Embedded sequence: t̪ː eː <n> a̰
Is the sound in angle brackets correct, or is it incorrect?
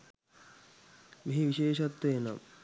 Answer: correct